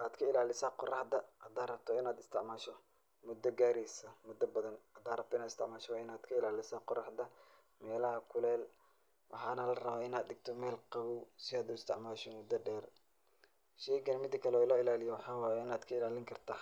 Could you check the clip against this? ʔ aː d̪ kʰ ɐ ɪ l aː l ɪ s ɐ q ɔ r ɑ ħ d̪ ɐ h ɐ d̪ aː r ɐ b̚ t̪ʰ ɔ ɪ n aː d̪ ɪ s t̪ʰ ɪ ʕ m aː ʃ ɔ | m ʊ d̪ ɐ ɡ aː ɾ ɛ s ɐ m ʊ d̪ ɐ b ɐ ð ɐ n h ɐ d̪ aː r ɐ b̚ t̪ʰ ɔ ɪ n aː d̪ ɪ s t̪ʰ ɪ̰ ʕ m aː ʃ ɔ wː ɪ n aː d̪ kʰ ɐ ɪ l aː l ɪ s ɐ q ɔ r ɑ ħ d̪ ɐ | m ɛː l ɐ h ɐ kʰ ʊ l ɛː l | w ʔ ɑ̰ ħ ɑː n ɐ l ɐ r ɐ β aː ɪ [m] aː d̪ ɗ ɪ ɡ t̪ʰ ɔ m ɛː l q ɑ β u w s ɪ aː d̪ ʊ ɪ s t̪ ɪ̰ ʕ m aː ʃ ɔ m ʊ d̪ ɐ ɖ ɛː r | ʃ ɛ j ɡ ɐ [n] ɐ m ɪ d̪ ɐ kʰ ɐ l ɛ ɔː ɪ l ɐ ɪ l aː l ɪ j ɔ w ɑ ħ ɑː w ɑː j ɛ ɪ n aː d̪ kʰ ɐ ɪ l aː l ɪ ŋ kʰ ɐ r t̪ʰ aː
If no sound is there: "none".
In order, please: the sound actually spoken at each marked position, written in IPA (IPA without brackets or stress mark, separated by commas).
n, n